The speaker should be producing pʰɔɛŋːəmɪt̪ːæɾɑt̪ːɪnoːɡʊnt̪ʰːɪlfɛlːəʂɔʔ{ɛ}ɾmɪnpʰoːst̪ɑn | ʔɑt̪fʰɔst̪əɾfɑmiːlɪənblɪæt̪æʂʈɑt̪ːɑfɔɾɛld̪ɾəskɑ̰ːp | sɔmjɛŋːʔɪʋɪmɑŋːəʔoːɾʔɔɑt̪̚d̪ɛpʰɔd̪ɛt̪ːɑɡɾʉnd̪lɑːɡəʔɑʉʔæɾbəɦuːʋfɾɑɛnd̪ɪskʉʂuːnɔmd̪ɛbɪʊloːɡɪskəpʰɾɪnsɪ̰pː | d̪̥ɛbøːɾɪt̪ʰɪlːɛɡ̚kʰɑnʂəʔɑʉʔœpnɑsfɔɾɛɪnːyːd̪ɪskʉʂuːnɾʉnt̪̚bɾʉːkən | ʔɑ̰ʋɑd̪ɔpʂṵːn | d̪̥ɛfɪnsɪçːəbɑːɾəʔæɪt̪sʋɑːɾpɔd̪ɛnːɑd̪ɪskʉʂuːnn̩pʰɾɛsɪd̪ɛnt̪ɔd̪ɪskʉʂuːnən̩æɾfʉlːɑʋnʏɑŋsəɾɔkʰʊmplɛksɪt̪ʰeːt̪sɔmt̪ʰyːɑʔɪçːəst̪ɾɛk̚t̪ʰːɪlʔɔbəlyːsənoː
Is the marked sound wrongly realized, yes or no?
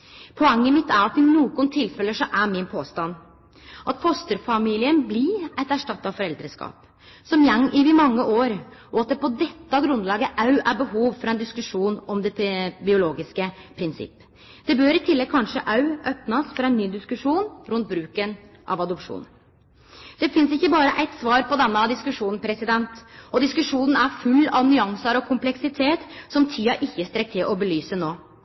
yes